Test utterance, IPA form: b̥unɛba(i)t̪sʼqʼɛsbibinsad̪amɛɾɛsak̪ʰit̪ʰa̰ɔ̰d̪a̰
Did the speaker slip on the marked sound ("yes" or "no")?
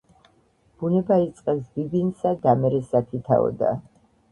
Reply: no